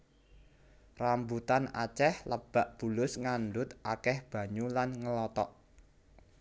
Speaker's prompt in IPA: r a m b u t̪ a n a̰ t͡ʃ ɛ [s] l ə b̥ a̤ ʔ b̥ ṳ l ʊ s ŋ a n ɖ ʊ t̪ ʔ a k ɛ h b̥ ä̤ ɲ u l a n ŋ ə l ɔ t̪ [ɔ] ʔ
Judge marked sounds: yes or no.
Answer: no, yes

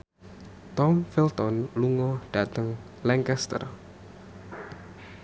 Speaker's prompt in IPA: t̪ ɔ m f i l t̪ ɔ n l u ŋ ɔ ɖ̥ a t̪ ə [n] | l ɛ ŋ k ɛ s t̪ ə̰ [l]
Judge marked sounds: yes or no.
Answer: no, no

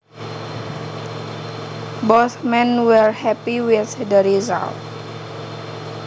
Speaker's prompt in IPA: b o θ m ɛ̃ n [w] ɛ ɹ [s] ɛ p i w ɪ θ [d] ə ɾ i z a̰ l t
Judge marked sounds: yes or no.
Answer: yes, no, yes

